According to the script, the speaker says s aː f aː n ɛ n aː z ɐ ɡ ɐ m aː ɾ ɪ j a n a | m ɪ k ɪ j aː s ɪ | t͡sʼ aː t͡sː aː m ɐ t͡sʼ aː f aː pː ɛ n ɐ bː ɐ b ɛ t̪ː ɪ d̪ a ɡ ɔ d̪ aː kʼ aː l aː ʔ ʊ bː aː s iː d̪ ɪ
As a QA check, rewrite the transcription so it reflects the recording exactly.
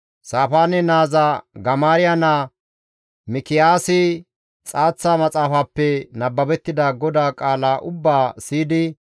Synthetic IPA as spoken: s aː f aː n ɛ n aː z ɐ ɡ ɐ m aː ɾ ɪ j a n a | m ɪ k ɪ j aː s ɪ | t͡sʼ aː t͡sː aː m ɐ t͡sʼ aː f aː pː ɛ n ɐ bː ɐ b ɛ t̪ː ɪ d̪ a ɡ ɔ d̪ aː kʼ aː l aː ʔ ʊ bː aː s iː d̪ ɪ